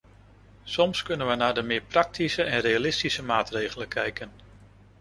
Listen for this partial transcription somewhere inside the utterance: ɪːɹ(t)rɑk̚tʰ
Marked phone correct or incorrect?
incorrect